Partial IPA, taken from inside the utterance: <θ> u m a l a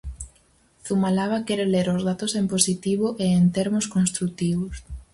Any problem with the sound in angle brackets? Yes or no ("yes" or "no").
no